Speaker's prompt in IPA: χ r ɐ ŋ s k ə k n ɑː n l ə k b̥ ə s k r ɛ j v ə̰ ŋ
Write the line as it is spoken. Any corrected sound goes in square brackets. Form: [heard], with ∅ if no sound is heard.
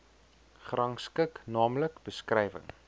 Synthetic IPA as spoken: χ r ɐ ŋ s k ə k n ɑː [m] l ə k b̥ ə s k r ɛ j v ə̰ ŋ